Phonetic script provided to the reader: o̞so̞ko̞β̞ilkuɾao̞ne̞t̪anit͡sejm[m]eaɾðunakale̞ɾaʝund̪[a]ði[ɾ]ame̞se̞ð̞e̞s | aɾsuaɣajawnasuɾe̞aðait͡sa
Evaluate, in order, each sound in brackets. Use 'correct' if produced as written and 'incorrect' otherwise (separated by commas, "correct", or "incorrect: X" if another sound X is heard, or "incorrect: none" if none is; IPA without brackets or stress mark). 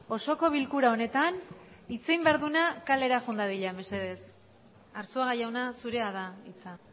incorrect: b, correct, incorrect: ʎ